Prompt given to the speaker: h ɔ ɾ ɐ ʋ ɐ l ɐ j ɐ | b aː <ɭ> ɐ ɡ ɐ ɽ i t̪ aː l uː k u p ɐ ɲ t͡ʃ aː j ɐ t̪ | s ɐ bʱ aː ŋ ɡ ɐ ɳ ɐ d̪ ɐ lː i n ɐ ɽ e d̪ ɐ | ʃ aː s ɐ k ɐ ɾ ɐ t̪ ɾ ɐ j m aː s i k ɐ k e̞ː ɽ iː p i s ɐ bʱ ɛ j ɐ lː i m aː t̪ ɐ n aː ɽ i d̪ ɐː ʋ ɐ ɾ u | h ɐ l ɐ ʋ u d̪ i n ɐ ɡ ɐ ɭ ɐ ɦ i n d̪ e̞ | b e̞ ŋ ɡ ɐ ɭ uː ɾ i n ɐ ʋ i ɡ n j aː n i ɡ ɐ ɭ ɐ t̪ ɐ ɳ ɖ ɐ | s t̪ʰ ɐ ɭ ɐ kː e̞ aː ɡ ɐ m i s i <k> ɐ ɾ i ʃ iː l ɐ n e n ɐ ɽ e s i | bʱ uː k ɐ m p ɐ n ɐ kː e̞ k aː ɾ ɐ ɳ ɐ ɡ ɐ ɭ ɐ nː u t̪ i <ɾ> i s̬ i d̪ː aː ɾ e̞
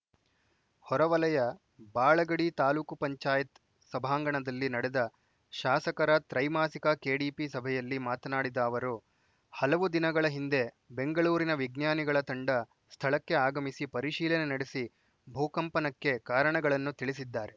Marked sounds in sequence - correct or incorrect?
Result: correct, incorrect: p, incorrect: ɭ

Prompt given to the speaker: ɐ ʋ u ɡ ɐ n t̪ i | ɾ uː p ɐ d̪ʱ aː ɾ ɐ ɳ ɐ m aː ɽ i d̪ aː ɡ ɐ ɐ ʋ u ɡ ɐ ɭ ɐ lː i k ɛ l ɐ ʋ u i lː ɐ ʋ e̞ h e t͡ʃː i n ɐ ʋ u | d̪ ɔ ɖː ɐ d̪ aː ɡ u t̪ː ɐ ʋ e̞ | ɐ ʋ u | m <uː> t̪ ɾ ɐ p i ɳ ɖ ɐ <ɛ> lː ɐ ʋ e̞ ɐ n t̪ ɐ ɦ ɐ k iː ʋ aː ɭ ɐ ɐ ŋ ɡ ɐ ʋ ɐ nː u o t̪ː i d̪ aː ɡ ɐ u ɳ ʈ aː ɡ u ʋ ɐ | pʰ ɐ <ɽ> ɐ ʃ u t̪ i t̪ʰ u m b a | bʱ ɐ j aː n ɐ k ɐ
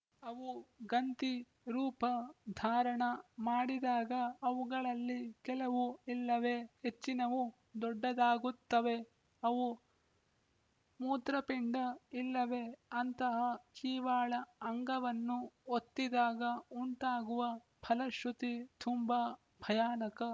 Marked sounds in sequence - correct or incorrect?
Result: correct, incorrect: i, incorrect: l

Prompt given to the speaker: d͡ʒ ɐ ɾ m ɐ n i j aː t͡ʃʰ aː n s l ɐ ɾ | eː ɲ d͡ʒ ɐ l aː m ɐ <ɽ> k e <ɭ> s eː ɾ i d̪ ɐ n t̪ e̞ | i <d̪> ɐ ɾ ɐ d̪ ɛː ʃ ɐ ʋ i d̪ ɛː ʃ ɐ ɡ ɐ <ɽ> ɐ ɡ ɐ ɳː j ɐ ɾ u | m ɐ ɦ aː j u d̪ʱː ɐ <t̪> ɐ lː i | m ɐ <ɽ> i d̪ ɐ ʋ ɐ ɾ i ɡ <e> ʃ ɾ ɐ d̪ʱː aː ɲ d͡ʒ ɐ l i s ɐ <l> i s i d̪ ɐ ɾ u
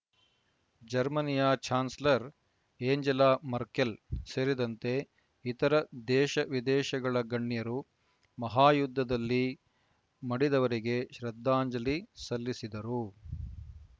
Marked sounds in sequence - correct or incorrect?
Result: incorrect: ɾ, incorrect: l, incorrect: t̪, incorrect: ɭ, incorrect: d̪, correct, correct, incorrect: lː

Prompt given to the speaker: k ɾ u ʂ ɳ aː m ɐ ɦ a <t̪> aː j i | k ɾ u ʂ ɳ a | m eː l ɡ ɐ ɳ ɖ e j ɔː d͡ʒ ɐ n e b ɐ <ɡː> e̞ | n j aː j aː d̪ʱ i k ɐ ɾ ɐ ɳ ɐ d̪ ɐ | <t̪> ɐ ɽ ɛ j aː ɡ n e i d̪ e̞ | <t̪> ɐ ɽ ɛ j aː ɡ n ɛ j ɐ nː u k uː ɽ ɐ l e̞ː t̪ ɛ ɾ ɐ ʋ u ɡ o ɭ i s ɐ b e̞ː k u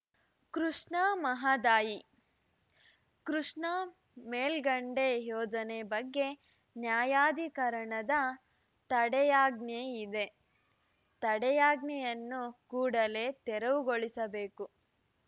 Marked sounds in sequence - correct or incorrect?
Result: incorrect: d̪, correct, correct, correct

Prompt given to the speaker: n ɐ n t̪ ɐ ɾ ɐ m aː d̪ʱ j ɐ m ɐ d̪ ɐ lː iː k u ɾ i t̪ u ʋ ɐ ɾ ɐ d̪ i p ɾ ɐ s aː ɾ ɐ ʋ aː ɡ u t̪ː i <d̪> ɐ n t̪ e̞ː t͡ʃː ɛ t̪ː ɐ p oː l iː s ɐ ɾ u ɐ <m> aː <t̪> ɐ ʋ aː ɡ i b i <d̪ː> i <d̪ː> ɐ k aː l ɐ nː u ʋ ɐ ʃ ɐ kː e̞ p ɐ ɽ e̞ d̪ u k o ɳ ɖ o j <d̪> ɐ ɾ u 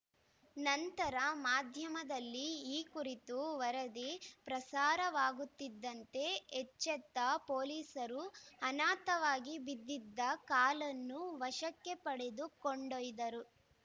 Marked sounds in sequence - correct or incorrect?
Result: incorrect: d̪ː, incorrect: n, correct, correct, correct, correct

